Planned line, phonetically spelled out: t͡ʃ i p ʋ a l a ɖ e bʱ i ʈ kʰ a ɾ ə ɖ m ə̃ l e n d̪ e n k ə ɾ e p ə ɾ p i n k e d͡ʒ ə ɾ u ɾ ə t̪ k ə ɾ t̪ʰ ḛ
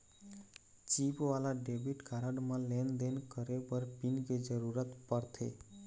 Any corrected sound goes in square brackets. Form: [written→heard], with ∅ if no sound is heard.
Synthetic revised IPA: t͡ʃ i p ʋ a l a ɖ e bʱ i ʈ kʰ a ɾ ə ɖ m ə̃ l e n d̪ e n k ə ɾ e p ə ɾ p i n k e d͡ʒ ə ɾ u ɾ ə t̪ [k→p] ə ɾ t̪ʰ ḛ